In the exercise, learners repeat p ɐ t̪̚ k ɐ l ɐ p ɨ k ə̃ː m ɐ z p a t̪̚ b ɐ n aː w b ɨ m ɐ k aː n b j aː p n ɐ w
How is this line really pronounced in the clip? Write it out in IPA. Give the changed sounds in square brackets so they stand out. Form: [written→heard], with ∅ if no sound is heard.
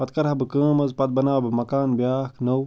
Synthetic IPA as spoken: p ɐ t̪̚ k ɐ [l→ɾ] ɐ [p→b] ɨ k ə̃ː m ɐ z p [a→ɐ] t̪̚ b ɐ n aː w b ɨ m ɐ k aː n b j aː [p→k] n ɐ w